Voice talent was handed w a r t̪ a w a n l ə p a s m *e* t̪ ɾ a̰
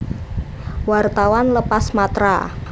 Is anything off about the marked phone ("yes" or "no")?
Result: yes